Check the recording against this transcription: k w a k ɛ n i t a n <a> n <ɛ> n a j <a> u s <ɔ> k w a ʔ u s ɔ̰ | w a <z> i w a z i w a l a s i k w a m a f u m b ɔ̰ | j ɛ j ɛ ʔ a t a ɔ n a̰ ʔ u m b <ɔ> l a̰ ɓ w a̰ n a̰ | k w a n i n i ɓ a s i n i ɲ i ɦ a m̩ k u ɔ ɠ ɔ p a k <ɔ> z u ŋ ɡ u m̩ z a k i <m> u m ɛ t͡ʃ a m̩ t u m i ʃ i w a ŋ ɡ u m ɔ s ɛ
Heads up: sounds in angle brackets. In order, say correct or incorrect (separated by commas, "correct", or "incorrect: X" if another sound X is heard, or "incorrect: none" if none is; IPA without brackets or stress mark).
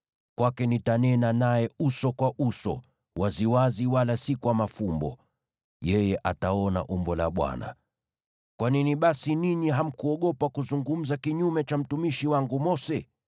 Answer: incorrect: ɛ, incorrect: a, incorrect: ɛ, correct, correct, correct, incorrect: u, incorrect: ɲ